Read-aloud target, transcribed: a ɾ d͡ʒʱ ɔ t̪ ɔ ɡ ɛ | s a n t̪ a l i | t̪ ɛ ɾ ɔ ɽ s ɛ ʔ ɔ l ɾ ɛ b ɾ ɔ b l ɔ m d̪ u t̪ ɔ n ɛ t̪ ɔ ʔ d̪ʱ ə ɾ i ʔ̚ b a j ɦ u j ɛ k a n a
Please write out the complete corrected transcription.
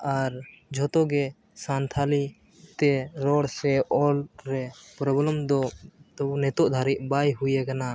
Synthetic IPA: a ɾ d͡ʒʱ ɔ t̪ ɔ ɡ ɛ | s a n t̪ʰ a l i | t̪ ɛ ɾ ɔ ɽ s ɛ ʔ ɔ l ɾ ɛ p ɾ ɔ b l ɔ m d̪ ɔ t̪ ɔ n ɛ t̪ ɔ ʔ d̪ʱ a ɾ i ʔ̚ b a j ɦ u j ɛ k a n a